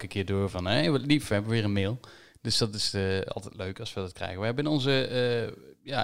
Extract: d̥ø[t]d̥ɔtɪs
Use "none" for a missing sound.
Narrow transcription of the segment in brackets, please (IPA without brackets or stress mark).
s